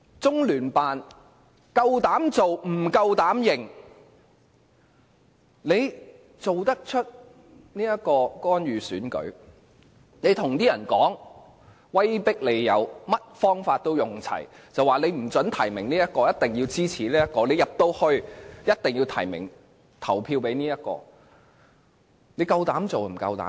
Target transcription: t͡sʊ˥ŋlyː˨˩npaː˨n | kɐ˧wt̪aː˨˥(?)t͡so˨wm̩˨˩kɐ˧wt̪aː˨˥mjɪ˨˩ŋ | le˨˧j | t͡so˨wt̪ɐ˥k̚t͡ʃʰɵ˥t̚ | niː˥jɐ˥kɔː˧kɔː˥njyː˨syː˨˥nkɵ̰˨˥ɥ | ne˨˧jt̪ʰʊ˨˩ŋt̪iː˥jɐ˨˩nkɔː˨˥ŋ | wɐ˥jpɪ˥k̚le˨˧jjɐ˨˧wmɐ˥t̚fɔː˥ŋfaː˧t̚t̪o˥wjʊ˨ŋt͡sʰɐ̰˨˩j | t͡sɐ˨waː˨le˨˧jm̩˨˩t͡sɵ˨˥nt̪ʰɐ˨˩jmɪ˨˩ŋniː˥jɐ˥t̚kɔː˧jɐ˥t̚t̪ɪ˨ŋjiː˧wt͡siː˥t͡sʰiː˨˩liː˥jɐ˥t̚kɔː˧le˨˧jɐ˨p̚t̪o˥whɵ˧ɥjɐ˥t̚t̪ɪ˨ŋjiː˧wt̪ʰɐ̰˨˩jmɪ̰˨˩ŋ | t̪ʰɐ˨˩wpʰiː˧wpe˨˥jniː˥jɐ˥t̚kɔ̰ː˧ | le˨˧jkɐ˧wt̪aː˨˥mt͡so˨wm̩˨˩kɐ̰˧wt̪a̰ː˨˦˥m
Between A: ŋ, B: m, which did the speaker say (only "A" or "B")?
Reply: B